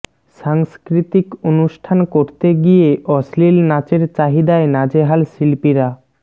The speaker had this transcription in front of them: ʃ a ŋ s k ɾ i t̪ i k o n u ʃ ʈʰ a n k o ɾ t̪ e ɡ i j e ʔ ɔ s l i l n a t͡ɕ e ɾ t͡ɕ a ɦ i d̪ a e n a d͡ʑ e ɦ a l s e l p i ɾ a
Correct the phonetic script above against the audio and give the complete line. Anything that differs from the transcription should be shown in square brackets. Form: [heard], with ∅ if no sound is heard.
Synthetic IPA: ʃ a ŋ s k ɾ i t̪ i k o n u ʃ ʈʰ a n k o ɾ t̪ e ɡ i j e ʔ ɔ s l i l n a t͡ɕ e ɾ t͡ɕ a ɦ i d̪ a e n a d͡ʑ e ɦ a l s [i] l p i ɾ a